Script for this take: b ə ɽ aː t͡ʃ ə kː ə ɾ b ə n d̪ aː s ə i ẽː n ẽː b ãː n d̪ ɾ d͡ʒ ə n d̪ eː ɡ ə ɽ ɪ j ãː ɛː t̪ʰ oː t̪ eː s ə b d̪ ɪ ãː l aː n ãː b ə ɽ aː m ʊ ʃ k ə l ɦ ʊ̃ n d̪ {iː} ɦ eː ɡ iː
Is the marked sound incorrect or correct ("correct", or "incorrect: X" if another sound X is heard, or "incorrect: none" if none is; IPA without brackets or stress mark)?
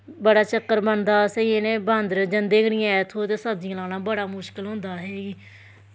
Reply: incorrect: aː